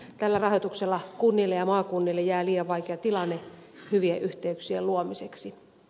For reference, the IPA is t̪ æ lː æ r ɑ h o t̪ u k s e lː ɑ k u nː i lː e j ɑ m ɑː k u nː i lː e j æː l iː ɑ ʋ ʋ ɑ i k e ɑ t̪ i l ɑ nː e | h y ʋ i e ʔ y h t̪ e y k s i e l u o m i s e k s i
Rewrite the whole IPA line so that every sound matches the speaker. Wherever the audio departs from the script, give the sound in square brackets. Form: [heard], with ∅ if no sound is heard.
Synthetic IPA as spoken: t̪ æ lː æ r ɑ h o t̪ u k s e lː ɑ k u nː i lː e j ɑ m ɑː k u nː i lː e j æː l iː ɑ ʋ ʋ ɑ i k e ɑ t̪ i l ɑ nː e | h y ʋ i e ʔ y h t̪ e y k s i e l u o m i s e k s i